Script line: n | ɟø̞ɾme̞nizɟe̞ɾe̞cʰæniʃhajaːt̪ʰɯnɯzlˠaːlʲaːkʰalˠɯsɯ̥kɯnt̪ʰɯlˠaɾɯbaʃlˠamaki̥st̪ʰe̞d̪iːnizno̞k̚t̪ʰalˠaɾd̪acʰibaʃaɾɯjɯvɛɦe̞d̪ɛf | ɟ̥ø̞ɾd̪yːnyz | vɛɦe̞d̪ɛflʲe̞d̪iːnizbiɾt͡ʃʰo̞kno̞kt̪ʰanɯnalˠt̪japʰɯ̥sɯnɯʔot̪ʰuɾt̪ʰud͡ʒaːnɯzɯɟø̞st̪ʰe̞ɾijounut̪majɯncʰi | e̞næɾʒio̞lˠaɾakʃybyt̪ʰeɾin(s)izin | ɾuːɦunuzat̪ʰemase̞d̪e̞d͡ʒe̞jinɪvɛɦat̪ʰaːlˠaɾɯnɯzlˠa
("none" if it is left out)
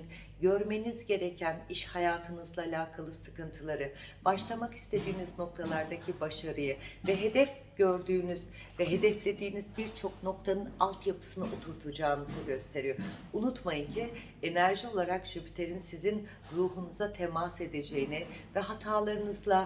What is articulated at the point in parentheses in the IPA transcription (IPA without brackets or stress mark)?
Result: s